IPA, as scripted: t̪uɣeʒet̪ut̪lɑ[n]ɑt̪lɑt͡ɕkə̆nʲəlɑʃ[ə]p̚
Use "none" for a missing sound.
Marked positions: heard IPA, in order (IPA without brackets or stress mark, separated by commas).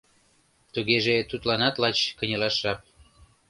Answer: n, ɑ